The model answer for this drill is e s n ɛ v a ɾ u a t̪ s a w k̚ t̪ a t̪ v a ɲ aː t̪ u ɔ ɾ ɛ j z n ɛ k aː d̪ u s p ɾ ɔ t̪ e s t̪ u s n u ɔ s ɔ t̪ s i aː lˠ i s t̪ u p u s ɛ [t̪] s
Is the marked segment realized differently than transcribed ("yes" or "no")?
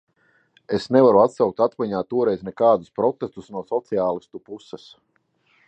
yes